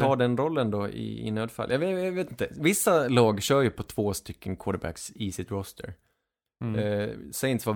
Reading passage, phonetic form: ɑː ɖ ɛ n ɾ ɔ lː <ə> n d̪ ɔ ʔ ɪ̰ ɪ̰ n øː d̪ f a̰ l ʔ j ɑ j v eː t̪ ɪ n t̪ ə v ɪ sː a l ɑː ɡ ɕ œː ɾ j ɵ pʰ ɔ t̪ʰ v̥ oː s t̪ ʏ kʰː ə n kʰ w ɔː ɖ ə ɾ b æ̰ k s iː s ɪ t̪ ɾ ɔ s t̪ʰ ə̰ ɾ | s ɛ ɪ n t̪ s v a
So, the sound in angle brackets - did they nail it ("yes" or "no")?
yes